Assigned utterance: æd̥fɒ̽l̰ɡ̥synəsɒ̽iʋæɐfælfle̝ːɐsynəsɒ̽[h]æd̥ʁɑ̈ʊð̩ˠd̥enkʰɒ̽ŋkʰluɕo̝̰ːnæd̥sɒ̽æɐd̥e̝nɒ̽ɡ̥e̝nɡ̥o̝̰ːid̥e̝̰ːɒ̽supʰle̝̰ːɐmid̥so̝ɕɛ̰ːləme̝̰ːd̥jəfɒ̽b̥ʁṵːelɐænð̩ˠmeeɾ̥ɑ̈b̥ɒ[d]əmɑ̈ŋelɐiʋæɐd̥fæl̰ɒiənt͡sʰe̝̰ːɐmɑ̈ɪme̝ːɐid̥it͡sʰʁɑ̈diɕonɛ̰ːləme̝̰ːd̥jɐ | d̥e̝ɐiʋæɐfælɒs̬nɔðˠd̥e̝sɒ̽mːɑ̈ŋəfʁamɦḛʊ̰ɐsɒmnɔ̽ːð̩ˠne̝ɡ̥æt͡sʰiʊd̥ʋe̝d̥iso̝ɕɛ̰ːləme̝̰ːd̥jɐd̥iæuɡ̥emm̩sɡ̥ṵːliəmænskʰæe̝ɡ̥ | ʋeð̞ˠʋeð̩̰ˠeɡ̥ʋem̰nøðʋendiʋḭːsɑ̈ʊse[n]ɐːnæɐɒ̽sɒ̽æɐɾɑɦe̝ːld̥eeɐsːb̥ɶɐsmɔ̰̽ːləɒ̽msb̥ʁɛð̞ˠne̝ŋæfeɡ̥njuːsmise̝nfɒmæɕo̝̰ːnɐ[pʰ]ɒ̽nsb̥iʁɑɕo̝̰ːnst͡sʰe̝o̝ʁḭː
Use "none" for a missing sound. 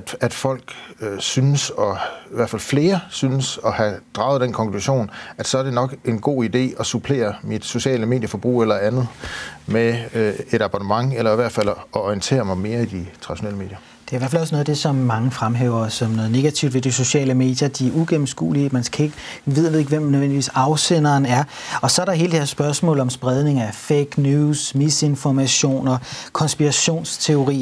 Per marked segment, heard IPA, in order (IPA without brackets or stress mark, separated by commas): h, n, n, kʰ